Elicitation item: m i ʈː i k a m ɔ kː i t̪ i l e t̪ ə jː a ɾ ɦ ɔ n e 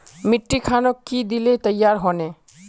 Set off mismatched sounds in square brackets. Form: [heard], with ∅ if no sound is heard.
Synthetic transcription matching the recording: m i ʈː i [kʰ] a [n] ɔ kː i [d̪] i l e t̪ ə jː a ɾ ɦ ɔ n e